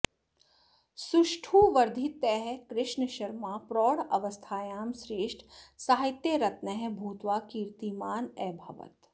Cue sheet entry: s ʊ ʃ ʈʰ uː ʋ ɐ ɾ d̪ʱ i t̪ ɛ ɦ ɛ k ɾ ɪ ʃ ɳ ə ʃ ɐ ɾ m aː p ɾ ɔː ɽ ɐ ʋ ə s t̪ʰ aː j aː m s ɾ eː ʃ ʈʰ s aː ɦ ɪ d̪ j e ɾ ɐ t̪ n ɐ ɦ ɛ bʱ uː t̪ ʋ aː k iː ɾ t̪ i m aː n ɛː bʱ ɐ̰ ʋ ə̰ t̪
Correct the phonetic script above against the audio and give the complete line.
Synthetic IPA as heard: s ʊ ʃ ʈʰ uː ʋ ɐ ɾ d̪ʱ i t̪ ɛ ɦ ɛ k ɾ ɪ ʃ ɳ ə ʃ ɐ ɾ m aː p ɾ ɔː ɽ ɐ ʋ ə s t̪ʰ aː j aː m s ɾ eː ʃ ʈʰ s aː ɦ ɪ t̪ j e ɾ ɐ t̪ n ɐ ɦ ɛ bʱ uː t̪ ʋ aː k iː ɾ t̪ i m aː n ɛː bʱ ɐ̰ ʋ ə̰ t̪